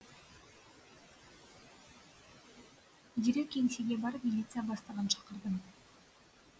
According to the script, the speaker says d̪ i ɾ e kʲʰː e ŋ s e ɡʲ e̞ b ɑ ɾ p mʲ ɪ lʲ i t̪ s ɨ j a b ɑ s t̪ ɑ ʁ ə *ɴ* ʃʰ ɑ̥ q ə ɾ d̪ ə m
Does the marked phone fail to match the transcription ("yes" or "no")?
yes